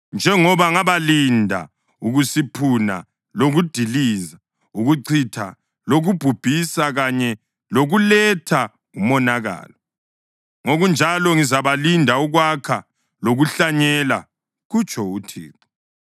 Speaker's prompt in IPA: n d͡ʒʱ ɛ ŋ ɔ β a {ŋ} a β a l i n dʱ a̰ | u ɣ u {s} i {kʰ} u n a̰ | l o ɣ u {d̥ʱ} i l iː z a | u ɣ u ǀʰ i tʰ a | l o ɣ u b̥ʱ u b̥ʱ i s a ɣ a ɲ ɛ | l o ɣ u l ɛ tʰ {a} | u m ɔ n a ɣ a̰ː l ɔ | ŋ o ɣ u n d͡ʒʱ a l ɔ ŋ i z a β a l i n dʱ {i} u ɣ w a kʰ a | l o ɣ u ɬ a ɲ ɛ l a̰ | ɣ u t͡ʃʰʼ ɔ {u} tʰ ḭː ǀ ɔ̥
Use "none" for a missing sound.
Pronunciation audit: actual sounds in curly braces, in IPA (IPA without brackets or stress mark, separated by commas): ŋ, s, pʰ, d̥ʱ, a, a, u